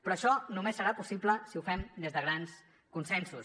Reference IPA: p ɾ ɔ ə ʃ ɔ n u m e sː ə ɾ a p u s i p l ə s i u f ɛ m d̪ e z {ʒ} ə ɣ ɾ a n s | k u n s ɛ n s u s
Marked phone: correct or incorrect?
incorrect